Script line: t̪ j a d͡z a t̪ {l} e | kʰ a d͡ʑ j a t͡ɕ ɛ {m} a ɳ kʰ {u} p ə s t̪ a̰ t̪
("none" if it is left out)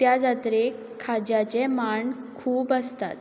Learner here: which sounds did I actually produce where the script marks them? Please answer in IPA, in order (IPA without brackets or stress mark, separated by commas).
ɾ, m, uː